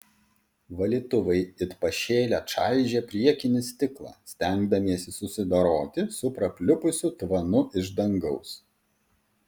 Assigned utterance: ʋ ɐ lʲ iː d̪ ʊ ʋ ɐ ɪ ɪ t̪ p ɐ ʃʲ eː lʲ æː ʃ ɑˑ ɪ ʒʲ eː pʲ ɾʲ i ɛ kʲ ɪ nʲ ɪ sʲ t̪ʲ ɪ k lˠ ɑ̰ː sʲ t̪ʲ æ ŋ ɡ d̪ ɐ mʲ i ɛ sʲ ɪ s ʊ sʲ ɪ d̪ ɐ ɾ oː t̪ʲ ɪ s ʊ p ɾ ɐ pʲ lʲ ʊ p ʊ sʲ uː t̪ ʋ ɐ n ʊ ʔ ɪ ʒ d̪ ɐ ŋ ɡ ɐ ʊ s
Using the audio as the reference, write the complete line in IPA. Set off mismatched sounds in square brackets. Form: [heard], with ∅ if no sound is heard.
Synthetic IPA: ʋ ɐ lʲ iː [t̪] ʊ ʋ ɐ ɪ ɪ t̪ p ɐ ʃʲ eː lʲ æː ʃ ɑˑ ɪ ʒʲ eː pʲ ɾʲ i ɛ kʲ ɪ nʲ ɪ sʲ t̪ʲ ɪ k lˠ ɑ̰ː sʲ t̪ʲ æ ŋ ɡ d̪ ɐ mʲ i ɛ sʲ ɪ s ʊ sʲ ɪ d̪ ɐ ɾ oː t̪ʲ ɪ s ʊ p ɾ ɐ pʲ lʲ ʊ p ʊ sʲ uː t̪ ʋ ɐ n ʊ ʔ ɪ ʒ d̪ ɐ ŋ ɡ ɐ ʊ s